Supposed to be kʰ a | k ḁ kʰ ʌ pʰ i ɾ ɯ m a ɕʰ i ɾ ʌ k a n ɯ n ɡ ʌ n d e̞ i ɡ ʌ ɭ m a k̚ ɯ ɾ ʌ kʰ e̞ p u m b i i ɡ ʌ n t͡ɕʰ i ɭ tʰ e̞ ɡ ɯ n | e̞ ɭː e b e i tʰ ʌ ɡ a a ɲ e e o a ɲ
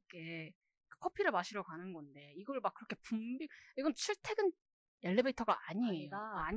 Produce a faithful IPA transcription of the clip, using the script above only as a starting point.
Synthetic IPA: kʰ e | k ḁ kʰ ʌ pʰ i ɾ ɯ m a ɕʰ i ɾ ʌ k a n ɯ n ɡ ʌ n d e̞ i ɡ ʌ ɭ m a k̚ ɯ ɾ ʌ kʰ e̞ p u m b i i ɡ ʌ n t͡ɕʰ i ɭ tʰ e̞ ɡ ɯ n | e̞ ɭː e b e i tʰ ʌ ɡ a a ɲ i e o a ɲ